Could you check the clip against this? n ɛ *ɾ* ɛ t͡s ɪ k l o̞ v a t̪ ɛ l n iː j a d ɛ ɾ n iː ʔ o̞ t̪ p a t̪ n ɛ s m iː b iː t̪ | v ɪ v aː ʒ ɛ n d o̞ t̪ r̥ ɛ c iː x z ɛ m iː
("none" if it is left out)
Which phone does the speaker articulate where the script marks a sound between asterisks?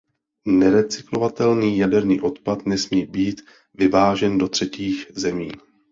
ɾ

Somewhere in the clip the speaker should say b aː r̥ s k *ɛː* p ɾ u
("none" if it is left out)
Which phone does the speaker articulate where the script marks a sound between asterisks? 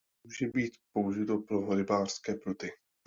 ɛː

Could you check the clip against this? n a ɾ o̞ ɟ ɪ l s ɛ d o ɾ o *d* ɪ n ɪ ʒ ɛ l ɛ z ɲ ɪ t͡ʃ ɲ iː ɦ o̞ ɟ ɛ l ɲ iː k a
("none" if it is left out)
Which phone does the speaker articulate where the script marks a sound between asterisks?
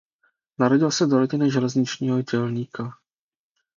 ɟ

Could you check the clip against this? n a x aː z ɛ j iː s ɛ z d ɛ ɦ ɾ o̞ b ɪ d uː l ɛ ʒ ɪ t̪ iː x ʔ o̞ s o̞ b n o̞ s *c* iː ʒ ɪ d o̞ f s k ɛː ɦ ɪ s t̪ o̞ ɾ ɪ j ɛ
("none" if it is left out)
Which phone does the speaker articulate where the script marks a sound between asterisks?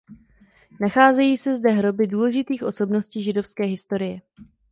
c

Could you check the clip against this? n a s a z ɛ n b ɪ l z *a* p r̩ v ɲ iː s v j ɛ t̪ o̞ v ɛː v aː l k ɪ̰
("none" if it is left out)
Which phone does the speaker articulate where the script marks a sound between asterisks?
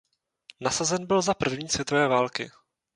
a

